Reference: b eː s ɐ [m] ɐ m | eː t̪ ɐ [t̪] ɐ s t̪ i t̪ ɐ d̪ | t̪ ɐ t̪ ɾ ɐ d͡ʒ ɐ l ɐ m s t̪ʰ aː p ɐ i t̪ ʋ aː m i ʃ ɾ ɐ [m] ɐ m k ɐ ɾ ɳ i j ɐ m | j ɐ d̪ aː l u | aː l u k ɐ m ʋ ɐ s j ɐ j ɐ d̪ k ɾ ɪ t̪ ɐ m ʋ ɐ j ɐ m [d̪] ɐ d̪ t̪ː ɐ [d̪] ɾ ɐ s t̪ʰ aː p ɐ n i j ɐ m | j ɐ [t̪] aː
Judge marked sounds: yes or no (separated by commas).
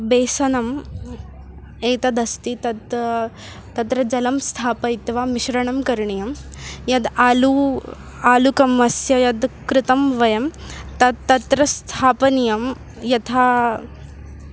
no, no, no, no, no, no